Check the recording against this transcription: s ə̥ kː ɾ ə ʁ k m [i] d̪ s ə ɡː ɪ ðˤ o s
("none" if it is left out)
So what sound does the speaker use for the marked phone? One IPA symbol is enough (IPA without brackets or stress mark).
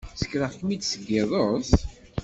i